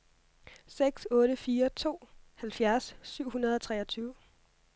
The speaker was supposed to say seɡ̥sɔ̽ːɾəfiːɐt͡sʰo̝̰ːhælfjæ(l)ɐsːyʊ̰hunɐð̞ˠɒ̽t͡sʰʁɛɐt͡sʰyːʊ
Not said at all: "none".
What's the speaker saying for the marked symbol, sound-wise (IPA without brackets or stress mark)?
none